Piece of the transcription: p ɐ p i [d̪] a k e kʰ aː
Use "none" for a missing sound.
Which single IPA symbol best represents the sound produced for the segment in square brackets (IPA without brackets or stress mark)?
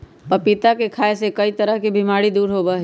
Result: t̪